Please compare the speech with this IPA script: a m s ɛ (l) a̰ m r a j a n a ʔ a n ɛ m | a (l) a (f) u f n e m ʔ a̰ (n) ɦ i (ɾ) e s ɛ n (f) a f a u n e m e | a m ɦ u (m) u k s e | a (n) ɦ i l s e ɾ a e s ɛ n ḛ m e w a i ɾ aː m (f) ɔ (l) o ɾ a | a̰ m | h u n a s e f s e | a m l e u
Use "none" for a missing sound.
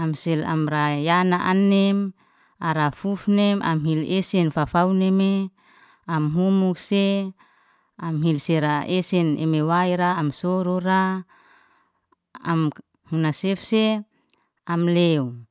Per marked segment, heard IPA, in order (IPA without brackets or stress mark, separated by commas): l, ɾ, f, m, l, f, m, m, s, ɾ